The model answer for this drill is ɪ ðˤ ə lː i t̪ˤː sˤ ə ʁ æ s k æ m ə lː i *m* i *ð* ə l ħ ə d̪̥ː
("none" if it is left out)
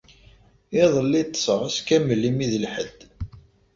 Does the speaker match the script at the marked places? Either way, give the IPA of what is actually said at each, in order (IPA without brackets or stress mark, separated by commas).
m, ð